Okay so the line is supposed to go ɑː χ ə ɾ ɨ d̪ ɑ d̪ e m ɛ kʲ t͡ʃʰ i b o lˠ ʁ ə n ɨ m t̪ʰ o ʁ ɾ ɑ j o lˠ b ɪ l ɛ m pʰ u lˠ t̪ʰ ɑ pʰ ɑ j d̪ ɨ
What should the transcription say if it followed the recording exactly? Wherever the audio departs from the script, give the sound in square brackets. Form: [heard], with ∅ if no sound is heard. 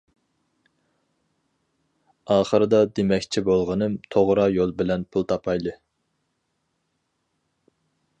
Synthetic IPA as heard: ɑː χ ə ɾ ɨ d̪ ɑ d̪ e m ɛ kʲ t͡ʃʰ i b o lˠ ʁ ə n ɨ m t̪ʰ o ʁ ɾ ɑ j o lˠ b ɪ l ɛ [n] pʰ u lˠ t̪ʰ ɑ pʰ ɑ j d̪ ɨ